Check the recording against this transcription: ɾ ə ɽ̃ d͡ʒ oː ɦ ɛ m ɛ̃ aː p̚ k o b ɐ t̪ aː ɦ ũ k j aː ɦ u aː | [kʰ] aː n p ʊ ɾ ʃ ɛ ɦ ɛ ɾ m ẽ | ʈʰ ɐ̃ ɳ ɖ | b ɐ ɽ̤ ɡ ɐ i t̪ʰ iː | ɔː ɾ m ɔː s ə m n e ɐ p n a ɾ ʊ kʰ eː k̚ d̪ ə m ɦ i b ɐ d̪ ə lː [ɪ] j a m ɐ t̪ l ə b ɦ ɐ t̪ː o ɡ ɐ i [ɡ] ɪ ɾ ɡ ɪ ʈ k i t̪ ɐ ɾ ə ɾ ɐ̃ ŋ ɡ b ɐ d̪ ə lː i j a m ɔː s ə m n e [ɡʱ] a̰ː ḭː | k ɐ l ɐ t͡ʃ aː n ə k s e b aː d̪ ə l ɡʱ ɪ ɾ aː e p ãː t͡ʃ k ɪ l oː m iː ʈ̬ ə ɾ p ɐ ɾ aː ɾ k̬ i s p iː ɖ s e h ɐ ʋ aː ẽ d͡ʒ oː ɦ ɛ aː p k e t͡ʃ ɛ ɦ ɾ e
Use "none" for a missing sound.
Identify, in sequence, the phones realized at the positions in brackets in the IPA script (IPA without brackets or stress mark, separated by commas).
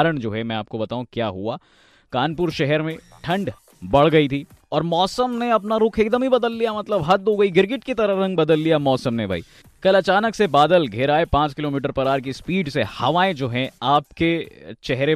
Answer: k, i, ɡ, bʱ